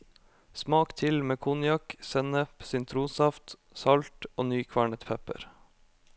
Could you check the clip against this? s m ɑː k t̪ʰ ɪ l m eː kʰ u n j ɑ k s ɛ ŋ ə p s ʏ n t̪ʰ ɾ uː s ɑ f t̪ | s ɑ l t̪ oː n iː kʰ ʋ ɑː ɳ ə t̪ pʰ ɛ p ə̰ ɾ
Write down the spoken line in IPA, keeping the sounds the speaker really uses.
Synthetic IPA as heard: s m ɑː k t̪ʰ ɪ l m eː kʰ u n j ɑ k s ɛ n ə p s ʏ n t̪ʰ ɾ uː s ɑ f t̪ | s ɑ l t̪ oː n yː kʰ ʋ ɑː ɳ ə t̪ pʰ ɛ p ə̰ ɾ